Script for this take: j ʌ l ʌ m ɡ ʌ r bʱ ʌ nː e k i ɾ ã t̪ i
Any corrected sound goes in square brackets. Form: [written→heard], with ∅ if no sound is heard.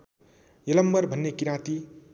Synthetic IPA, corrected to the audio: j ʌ l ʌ m [ɡ→b] ʌ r bʱ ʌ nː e k i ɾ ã t̪ i